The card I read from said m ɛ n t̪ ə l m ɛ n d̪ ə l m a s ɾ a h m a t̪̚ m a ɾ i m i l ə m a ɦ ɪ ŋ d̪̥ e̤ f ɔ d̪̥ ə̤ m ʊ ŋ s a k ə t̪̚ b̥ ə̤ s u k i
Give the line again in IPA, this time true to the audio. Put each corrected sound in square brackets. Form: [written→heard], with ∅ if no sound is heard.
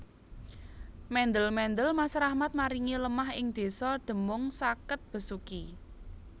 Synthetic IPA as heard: m ɛ n [t̪→d̪] ə l m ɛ n d̪ ə l m a s ɾ a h m a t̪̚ m a ɾ i [m→ŋ] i l ə m a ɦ ɪ ŋ d̪̥ e̤ [f→s] ɔ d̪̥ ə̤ m ʊ ŋ s a k ə t̪̚ b̥ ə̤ s u k i